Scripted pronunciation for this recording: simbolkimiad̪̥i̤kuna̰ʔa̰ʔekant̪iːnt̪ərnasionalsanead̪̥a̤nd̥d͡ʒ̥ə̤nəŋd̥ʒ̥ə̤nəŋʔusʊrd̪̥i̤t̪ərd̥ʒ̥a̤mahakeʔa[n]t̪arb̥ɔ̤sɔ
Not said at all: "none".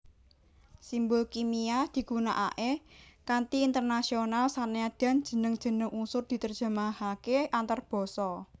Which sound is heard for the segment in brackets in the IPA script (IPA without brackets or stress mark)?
n